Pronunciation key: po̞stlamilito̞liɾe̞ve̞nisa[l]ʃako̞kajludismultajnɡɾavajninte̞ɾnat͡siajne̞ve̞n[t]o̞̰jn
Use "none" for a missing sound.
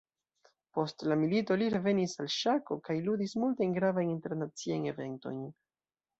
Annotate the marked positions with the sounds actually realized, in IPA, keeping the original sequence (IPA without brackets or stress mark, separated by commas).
l, t